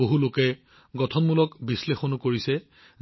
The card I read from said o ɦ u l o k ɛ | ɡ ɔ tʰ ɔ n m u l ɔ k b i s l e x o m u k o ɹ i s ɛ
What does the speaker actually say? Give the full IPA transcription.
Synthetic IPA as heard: o ɦ u l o k ɛ | ɡ ɔ tʰ ɔ n m u l ɔ k b i s l e x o n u k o ɹ i s ɛ